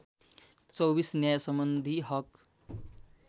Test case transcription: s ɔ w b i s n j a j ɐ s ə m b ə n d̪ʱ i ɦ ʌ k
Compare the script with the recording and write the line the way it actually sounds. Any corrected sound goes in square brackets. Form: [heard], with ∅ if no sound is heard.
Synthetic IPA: [t͡s] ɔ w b i s n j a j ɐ s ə m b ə n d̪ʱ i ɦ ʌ k